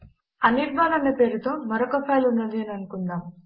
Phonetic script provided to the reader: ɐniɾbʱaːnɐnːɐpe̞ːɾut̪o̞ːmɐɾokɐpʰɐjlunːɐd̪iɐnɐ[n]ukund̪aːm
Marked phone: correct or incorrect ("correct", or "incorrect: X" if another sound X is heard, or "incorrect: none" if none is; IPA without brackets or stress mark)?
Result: correct